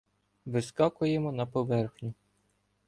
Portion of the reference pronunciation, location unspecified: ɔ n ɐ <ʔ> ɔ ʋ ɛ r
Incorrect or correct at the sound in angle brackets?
incorrect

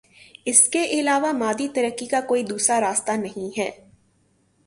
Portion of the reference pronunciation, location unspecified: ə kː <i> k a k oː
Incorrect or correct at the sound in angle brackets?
correct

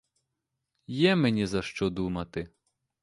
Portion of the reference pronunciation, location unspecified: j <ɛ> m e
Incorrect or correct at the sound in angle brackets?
correct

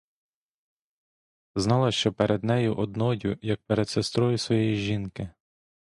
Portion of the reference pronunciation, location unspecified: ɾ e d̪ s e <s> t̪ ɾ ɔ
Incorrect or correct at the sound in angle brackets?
correct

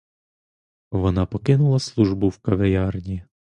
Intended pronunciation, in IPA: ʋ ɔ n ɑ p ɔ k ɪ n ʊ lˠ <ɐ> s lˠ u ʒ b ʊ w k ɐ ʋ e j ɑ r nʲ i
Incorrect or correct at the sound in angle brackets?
correct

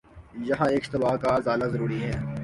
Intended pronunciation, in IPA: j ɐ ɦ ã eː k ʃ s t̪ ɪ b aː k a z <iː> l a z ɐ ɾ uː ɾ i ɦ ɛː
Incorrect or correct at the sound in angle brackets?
incorrect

